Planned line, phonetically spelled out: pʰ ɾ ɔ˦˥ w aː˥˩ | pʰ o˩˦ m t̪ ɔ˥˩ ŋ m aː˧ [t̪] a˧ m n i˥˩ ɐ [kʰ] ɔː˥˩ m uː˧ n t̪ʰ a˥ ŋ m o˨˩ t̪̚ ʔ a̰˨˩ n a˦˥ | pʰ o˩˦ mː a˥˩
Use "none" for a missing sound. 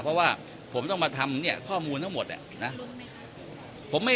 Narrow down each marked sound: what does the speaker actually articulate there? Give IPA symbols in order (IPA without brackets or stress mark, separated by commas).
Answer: t̪ʰ, kʰ